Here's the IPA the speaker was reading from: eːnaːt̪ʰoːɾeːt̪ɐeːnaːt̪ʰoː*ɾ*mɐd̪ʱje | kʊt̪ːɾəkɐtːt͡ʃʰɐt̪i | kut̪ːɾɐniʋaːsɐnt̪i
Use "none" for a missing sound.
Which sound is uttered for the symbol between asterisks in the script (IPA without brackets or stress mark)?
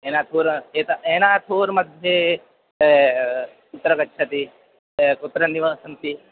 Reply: ɾ